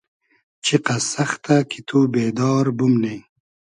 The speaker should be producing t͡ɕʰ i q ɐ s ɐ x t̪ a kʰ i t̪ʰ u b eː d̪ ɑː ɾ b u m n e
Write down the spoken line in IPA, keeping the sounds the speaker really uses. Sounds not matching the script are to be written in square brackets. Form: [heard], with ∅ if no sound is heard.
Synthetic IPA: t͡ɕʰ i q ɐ s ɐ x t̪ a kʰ i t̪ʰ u b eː d̪ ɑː ɾ b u m n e